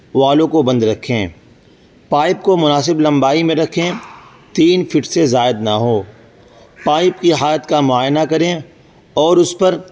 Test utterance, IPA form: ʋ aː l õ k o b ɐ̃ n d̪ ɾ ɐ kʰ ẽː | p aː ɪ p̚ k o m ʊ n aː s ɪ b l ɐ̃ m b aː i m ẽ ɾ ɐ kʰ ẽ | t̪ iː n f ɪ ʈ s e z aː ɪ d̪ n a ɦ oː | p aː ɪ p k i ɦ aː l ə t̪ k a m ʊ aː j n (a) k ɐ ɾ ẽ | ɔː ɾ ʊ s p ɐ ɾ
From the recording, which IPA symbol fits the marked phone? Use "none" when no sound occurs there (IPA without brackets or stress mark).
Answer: a